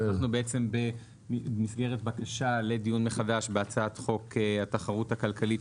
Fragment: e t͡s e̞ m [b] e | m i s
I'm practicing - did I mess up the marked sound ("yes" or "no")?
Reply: no